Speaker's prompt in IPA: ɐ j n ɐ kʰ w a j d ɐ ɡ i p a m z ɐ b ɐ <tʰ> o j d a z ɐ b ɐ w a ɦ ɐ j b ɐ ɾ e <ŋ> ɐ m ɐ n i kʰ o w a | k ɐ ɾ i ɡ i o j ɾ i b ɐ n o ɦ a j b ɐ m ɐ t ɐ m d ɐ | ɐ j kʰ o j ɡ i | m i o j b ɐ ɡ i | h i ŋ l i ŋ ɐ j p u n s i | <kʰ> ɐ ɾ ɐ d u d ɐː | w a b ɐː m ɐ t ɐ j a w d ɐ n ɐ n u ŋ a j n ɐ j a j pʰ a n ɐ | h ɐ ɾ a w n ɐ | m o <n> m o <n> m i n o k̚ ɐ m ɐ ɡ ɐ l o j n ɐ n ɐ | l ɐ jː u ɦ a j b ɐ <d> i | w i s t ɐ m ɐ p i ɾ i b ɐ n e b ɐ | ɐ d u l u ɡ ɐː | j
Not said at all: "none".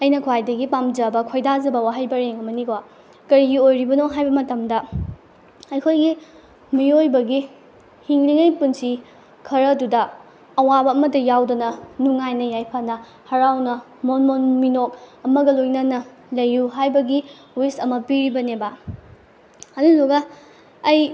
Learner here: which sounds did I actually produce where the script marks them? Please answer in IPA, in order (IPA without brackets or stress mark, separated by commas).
kʰ, ŋ, kʰ, n, n, ɡ